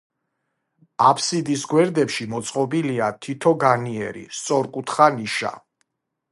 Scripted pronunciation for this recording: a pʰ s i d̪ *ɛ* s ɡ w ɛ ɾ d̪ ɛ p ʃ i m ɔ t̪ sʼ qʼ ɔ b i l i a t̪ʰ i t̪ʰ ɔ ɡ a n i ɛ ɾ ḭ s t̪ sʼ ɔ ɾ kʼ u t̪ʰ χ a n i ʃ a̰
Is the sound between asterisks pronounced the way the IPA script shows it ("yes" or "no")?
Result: no